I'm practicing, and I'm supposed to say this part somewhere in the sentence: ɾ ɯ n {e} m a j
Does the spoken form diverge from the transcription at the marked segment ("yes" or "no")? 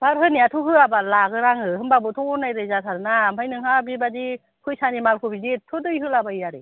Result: yes